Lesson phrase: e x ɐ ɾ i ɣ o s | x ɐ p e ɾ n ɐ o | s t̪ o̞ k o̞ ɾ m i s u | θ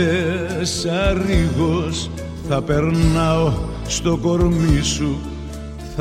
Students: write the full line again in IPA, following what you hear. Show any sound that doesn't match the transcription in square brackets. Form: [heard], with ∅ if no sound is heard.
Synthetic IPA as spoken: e [s] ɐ ɾ i ɣ o s | [θ] ɐ p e ɾ n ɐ o | s t̪ o̞ k o̞ ɾ m i s u | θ